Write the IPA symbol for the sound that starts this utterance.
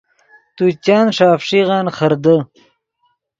t̪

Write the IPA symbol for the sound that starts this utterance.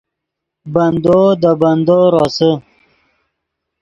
b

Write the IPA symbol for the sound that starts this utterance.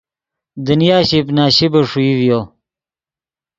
d̪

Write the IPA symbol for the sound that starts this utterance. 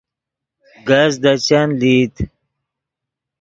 ɡ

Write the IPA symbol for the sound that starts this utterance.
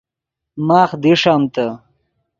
m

